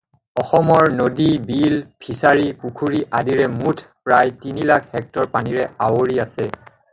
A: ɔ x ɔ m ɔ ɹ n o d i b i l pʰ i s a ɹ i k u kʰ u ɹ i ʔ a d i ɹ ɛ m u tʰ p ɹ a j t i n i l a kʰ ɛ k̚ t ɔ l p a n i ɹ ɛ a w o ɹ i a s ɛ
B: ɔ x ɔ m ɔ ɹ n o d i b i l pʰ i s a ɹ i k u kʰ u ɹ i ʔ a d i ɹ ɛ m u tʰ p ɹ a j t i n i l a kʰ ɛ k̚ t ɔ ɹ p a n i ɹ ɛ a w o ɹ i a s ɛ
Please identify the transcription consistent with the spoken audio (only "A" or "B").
B